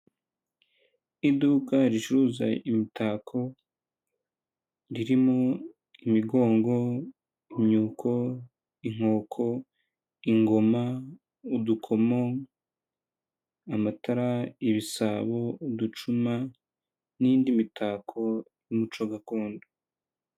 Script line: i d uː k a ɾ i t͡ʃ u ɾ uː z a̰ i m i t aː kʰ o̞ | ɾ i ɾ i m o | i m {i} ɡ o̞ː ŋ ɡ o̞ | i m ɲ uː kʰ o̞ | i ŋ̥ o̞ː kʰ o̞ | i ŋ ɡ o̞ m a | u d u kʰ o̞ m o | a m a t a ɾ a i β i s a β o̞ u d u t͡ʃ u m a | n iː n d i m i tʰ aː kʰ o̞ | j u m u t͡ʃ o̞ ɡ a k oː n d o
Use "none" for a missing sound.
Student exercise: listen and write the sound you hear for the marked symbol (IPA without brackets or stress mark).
i